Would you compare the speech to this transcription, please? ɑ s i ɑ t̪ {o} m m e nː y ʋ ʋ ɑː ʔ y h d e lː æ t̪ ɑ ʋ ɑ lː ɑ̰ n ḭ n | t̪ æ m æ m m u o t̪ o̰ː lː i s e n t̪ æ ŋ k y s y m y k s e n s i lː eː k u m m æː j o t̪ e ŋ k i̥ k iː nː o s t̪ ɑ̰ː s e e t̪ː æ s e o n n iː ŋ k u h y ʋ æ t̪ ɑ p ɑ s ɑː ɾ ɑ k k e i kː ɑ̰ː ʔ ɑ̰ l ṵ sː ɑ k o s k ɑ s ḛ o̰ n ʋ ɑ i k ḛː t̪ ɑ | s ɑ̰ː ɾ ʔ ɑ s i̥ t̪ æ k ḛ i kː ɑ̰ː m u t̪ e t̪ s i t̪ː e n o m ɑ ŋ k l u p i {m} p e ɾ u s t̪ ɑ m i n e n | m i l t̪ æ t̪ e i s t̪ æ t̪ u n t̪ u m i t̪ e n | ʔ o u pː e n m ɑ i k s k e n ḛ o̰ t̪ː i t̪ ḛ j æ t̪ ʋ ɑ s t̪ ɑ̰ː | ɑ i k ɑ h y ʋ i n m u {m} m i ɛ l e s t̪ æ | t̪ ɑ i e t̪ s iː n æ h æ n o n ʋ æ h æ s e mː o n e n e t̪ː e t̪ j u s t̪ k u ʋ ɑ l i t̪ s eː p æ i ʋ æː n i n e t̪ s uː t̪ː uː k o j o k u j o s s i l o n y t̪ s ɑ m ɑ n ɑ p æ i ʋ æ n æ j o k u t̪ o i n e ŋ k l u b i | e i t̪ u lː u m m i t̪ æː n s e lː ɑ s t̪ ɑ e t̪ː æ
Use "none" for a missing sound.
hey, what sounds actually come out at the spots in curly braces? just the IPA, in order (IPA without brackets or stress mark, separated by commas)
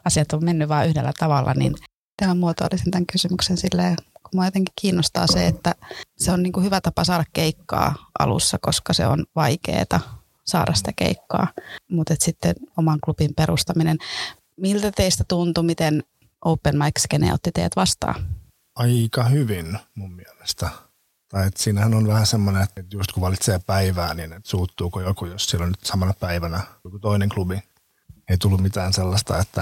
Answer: o, m, m